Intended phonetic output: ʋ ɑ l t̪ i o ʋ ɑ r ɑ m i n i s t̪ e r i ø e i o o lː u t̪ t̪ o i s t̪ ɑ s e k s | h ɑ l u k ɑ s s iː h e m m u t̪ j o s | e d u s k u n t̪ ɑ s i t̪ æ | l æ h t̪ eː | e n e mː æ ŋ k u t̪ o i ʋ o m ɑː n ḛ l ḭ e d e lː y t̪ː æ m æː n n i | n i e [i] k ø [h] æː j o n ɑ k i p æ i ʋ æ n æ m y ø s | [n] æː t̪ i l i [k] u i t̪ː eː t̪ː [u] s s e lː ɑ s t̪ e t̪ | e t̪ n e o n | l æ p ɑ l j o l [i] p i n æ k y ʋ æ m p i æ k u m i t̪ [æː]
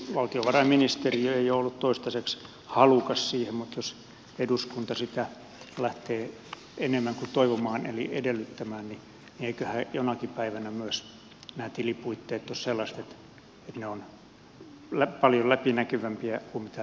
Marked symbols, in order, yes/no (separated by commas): yes, yes, yes, no, no, no, no